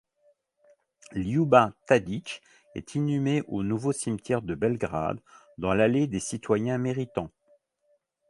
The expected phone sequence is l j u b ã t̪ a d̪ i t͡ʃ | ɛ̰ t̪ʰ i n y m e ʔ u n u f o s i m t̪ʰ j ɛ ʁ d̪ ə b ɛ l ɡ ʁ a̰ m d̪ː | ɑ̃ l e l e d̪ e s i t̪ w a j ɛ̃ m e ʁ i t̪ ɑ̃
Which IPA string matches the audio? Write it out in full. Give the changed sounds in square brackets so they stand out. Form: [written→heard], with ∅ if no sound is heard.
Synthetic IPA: l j u b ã t̪ a d̪ i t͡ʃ | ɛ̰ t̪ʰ i n y m e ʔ [u→o] n u [f→v] o s i m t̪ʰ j ɛ ʁ d̪ ə b ɛ l ɡ ʁ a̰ [m→∅] d̪ː | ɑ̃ l [e→a] l e d̪ e s i t̪ w a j ɛ̃ m e ʁ i t̪ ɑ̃